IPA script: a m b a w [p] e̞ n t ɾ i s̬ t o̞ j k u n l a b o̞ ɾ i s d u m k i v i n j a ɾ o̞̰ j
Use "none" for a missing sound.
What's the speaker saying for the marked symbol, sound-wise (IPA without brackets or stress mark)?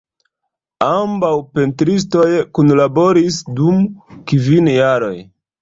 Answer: p